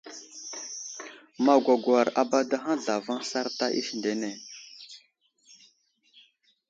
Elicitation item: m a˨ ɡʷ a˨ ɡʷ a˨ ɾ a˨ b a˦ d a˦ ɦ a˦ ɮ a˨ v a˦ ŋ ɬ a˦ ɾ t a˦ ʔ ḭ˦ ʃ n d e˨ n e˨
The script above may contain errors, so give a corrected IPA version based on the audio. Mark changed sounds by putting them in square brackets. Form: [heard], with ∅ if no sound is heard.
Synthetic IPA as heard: m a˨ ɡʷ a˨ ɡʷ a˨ ɾ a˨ b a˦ d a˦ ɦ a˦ ɮ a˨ v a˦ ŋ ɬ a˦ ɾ t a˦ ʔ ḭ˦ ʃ n d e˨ n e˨

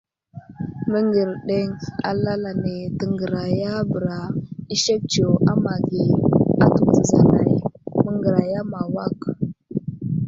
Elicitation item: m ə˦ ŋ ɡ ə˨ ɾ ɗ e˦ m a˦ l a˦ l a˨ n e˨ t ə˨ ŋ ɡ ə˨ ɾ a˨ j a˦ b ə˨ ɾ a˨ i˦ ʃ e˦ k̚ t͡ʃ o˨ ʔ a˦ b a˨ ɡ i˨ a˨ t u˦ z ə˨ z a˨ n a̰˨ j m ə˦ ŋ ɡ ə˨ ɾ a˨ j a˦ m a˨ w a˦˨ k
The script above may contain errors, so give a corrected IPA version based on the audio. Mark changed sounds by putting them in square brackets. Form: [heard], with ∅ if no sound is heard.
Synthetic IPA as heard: m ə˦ ŋ ɡ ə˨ ɾ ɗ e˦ [ŋ] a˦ l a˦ l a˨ n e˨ t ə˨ ŋ ɡ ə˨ ɾ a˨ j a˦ b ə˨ ɾ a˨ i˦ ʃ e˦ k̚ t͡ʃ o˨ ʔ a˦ [m] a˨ ɡ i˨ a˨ t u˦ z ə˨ z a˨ n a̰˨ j m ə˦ ŋ ɡ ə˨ ɾ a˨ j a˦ m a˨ w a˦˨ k

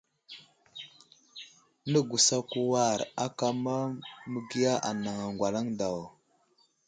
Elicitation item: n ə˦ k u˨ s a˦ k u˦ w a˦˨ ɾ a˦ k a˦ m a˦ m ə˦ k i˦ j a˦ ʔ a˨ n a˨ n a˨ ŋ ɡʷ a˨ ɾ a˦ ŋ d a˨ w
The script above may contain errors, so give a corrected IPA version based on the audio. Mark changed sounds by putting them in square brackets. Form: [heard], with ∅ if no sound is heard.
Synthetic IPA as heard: n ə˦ [ɡ] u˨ s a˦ k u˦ w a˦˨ ɾ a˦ k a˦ m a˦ m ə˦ [ɡ] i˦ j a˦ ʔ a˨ n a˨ [ŋ] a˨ ŋ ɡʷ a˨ [l] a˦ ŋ d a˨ w

